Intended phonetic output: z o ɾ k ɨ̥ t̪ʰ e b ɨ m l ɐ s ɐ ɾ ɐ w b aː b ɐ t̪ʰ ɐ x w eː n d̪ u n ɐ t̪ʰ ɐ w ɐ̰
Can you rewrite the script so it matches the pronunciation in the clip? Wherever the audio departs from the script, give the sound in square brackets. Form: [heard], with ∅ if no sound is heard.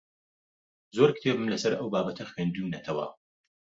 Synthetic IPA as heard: z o ɾ k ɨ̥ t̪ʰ e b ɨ m l ɐ s ɐ ɾ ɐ w b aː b ɐ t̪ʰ ɐ x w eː n d̪ u n ɐ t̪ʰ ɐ w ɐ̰